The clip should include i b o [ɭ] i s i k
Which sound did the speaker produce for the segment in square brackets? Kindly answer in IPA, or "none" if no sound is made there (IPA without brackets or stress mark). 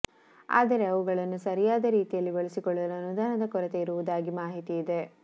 ɭ